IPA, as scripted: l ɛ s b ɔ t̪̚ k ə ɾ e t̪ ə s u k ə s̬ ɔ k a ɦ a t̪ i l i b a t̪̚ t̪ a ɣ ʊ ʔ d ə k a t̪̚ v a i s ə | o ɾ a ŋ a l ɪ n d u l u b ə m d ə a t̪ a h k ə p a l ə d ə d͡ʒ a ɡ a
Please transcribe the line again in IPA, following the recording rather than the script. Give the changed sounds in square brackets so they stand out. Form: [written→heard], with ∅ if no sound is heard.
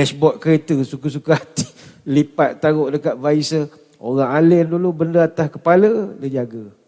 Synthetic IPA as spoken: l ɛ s b ɔ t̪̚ k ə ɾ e t̪ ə s u k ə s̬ [ɔ→u] k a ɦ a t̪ i l i [b→p] a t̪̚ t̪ a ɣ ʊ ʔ d ə k a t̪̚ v a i s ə | o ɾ a ŋ a l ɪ n d u l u b ə [m→n] d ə a t̪ a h k ə p a l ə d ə d͡ʒ a ɡ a